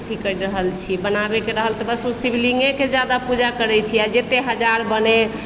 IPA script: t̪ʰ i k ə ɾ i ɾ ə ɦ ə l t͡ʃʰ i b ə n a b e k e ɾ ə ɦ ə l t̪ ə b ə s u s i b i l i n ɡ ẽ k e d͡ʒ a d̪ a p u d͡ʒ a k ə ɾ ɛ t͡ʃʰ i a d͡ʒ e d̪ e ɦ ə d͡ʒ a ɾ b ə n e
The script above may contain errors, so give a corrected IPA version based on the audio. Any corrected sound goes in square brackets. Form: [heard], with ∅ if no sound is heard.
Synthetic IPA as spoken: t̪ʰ i k ə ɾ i ɾ ə ɦ ə l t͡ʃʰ i b ə n a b e k e ɾ ə ɦ ə l t̪ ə b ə s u s i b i l i [ŋ] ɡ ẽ k e d͡ʒ a d̪ a p u d͡ʒ a k ə ɾ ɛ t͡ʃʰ i a d͡ʒ e [t̪] e ɦ ə d͡ʒ a ɾ b ə n e